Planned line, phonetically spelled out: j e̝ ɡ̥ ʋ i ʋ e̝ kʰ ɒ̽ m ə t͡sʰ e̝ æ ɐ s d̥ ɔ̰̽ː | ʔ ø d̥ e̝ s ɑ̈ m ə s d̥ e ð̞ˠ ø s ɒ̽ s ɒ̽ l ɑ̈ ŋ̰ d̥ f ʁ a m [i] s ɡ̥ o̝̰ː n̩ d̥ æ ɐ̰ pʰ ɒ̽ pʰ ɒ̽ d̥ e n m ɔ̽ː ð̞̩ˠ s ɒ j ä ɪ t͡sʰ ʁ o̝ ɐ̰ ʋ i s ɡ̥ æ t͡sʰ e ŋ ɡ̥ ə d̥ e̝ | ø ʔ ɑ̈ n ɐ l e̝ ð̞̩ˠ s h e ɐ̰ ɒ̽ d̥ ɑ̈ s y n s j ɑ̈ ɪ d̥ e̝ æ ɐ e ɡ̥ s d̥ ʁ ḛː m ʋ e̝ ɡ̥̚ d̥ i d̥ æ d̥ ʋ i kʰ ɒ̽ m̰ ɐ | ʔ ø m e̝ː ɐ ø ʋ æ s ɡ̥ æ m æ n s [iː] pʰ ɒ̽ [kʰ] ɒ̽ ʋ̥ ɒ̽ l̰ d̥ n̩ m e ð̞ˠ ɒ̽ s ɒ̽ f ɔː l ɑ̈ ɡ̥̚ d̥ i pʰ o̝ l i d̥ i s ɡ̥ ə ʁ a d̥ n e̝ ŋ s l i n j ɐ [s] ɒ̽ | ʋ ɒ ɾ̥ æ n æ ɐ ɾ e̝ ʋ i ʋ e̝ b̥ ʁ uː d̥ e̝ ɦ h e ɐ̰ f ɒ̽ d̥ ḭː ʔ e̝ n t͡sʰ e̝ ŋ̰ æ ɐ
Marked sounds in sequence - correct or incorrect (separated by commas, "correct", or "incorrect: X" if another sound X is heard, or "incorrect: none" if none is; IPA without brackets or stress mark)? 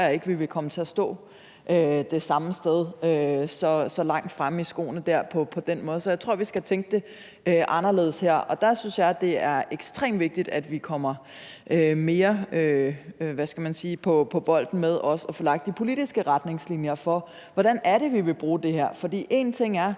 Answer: correct, correct, incorrect: pʰ, incorrect: f